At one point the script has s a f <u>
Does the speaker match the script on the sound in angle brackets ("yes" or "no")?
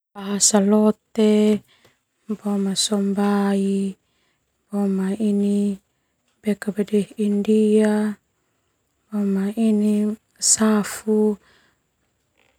yes